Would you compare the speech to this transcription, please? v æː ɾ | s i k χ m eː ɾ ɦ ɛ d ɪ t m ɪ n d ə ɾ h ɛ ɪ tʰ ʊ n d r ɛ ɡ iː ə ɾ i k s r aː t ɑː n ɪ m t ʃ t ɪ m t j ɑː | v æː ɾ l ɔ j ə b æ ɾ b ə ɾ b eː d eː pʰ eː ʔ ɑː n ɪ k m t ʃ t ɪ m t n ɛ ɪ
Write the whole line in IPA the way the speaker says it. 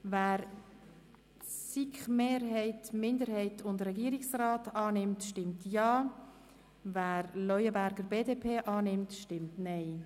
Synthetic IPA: v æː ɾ | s i k χ m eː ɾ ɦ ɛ ɪ t m ɪ n d ə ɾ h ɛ ɪ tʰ ʊ n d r ɛ ɡ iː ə ɾ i k s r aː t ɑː n ɪ m t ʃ t ɪ m t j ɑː | v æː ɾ l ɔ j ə b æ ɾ ɡ ə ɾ b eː d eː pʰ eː ʔ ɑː n ɪ m t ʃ t ɪ m t n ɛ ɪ

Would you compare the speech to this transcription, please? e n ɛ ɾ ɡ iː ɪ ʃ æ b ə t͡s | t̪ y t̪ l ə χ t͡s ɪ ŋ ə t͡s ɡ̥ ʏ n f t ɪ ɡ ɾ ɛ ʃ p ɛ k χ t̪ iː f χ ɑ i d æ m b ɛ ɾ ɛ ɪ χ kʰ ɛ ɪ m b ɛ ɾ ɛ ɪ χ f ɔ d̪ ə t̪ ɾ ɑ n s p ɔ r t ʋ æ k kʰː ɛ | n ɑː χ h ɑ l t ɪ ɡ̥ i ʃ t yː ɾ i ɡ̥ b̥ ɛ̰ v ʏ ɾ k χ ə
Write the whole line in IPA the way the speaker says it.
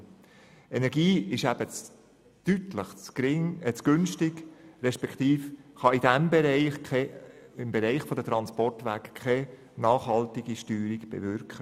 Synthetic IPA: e n ɛ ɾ ɡ iː ɪ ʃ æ b ə t͡s | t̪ y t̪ l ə χ t͡s ɪ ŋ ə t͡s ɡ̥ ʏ n ʃ t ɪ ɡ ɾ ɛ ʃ p ɛ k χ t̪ iː f χ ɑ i d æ m b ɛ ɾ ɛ ɪ χ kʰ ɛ ɪ m b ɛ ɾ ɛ ɪ χ f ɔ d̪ ə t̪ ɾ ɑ n s p ɔ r t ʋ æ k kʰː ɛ | n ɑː χ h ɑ l t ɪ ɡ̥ i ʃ t yː ɾ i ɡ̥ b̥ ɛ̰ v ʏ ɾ k χ ə

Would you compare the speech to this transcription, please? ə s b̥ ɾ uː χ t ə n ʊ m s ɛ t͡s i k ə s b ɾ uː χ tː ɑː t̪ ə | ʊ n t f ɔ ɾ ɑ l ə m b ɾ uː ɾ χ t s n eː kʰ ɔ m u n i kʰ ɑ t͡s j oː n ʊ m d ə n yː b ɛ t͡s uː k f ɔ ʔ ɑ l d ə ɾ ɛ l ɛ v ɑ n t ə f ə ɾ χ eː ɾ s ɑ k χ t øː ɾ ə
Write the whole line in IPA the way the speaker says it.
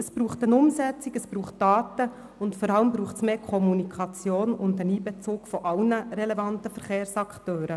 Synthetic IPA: ə s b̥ ɾ uː χ t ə n ʊ m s ɛ t͡s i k ə s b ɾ uː χ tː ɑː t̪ ə | ʊ n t f ɔ ɾ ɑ l ə m b ɾ uː χ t s m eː kʰ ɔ m u n i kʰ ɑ t͡s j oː n ʊ n d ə n iː b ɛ t͡s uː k f ɔ ʔ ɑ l n ə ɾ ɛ l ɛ v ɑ n t ə f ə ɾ χ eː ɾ s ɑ k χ t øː ɾ ə

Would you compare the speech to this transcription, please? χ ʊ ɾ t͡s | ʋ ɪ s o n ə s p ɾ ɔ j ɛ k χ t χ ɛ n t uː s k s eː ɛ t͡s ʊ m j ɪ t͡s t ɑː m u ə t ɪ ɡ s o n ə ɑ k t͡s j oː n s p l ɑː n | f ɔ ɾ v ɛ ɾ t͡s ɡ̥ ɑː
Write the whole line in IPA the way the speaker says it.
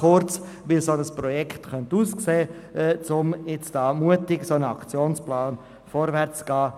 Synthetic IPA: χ ʊ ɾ t͡s | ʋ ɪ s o n ə s p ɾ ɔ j ɛ k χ t χ œ n t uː s k s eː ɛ t͡s ʊ m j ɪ t͡s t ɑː m u ə t ɪ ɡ s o n ə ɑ k t͡s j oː n s p l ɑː n | f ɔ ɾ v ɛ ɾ t͡s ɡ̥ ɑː

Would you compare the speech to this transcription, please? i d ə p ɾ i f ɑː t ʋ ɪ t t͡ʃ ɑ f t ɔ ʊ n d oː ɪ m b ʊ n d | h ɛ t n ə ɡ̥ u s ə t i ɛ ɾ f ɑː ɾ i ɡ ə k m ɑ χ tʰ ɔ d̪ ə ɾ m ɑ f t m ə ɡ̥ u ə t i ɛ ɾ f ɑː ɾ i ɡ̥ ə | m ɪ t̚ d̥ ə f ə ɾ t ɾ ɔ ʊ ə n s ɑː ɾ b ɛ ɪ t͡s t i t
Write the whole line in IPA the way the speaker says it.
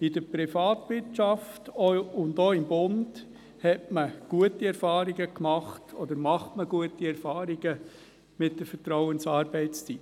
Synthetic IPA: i d ə p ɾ i f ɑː t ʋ ɪ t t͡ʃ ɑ f t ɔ ʊ n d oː ɪ m b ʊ n d | h ɛ t m ə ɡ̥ u ə t i ɛ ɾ f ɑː ɾ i ɡ ə k m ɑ χ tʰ ɔ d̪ ə ɾ m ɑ χ t m ə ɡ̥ u ə t i ɛ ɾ f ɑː ɾ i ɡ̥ ə | m ɪ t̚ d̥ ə f ə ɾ t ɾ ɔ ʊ ə n s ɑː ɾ b ɛ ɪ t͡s t͡s i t

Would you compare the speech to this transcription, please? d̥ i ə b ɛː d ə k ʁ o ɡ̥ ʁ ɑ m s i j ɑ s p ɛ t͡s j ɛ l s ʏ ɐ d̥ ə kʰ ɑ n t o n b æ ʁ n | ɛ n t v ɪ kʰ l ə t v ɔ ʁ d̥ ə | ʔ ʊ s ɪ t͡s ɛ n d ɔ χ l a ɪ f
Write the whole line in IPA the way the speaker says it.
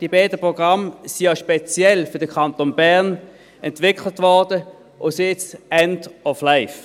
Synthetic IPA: d̥ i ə b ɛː d ə p ʁ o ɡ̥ ʁ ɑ m s i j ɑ ʃ p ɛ t͡s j ɛ l f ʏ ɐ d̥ ə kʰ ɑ n t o n b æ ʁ n | ɛ n t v ɪ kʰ l ə t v ɔ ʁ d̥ ə | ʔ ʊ s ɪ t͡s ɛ n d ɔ f l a ɪ f

